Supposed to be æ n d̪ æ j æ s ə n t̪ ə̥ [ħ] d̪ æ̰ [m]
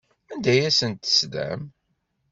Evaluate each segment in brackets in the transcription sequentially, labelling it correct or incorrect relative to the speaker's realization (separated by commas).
incorrect, correct